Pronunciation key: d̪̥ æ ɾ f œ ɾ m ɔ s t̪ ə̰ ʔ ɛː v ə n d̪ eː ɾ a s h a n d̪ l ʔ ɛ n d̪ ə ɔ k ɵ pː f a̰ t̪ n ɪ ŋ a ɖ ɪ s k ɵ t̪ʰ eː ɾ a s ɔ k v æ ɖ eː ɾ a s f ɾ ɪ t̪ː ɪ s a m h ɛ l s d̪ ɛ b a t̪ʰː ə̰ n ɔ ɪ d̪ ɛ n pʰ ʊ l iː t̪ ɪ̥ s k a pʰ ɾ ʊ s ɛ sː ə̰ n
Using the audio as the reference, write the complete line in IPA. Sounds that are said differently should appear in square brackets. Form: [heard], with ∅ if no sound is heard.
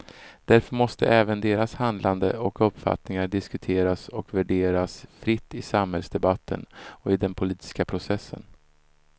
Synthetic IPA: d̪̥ æ ɾ f œ ɾ m ɔ s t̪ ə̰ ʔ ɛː v ə n d̪ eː ɾ a s h a n d̪ l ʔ [a] n d̪ ə ɔ k ɵ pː f a̰ t̪ n ɪ ŋ a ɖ ɪ s k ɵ t̪ʰ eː ɾ a s ɔ k v æ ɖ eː ɾ a s f ɾ ɪ t̪ː ɪ s a m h ɛ l s d̪ ɛ b a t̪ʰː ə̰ n ɔ ɪ d̪ ɛ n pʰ ʊ l iː t̪ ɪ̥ s k a pʰ ɾ ʊ s ɛ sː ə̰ n

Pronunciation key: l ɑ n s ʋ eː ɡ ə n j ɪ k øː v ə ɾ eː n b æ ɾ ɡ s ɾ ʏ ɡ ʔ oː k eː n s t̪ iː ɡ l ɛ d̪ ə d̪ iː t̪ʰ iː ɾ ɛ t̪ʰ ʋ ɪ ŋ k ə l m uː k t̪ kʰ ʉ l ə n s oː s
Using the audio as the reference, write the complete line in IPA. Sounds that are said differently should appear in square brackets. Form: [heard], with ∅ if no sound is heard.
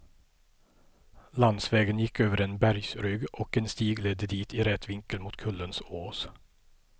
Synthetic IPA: l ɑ n s ʋ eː ɡ ə n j ɪ k øː [ʋ] ə ɾ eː n b æ ɾ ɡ s ɾ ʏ ɡ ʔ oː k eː n s t̪ iː ɡ l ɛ d̪ ə d̪ iː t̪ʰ iː ɾ ɛ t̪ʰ ʋ ɪ ŋ k ə l m uː [∅] t̪ kʰ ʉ l ə n s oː s

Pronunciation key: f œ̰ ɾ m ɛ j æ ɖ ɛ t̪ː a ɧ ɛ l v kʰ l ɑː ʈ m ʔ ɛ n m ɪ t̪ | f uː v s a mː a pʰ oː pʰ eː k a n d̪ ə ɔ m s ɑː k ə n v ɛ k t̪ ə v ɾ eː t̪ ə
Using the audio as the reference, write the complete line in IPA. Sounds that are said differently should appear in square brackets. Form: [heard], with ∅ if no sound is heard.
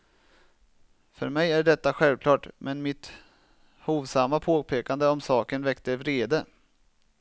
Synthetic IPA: f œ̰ ɾ m ɛ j æ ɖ ɛ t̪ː a ɧ ɛ l v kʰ l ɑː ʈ m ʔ ɛ n m ɪ t̪ | [h] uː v s a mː a pʰ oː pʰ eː k a n d̪ ə ɔ m s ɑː k ə n v ɛ k t̪ ə v ɾ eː [d̪] ə

